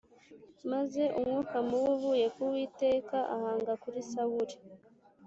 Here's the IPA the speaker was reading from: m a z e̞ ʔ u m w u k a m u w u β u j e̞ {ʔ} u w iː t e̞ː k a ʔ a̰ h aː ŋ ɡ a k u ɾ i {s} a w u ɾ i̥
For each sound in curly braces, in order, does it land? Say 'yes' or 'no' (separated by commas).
no, yes